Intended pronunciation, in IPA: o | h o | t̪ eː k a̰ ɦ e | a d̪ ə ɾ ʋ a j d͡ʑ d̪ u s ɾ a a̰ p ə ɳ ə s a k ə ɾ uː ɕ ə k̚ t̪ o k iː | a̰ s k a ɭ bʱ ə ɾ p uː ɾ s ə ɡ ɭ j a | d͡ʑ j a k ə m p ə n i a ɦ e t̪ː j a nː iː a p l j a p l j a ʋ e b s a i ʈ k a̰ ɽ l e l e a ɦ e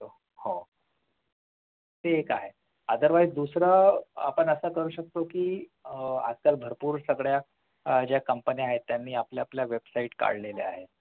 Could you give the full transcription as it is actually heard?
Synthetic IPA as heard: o | h o | t̪ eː k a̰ ɦ e | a d̪ ə ɾ ʋ a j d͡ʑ d̪ u s ɾ a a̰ p ə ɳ ə s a k ə ɾ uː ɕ ə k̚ t̪ o k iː | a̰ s k a l bʱ ə ɾ p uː ɾ s ə ɡ ɭ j a | d͡ʑ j a k ə m p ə n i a ɦ e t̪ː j a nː iː a p l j a p l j a ʋ e b s a i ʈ k a̰ ɽ l e l e a ɦ e